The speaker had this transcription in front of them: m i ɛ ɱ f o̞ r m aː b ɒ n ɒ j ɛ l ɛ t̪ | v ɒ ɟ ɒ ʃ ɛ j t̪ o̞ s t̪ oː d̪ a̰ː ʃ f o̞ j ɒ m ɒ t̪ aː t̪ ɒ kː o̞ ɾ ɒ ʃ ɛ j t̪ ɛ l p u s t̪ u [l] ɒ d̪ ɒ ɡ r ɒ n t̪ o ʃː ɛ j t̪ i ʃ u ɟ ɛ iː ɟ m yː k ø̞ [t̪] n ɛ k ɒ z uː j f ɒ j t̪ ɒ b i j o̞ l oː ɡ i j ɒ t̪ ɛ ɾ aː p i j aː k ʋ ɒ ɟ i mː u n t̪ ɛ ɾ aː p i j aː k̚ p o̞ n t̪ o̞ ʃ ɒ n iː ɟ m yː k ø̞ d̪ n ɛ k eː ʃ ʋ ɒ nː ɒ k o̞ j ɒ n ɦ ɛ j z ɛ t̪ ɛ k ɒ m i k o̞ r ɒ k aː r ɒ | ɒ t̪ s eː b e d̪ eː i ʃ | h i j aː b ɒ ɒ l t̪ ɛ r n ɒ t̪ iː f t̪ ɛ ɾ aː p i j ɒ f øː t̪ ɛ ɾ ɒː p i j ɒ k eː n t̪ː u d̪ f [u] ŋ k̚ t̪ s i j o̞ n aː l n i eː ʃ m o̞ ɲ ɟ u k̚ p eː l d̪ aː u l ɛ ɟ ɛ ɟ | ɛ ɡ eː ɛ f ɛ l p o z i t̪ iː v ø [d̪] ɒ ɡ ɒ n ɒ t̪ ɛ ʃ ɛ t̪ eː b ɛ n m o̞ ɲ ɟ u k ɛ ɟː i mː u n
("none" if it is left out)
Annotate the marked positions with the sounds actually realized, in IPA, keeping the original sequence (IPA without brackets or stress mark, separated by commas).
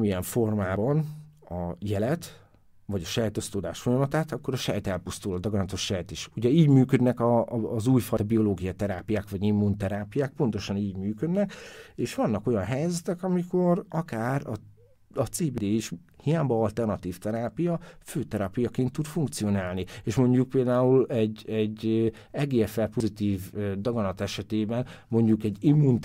l, d̪, u, d̪